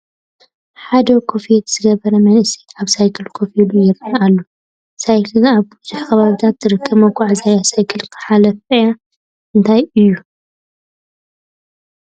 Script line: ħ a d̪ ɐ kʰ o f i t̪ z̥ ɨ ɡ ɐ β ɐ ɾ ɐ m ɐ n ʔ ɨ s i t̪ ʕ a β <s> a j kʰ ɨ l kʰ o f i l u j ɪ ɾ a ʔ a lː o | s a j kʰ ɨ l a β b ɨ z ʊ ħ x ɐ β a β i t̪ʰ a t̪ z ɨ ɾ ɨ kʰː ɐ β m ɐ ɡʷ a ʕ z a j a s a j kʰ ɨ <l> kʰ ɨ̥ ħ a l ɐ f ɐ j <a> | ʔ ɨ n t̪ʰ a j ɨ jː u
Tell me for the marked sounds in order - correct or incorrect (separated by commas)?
correct, correct, correct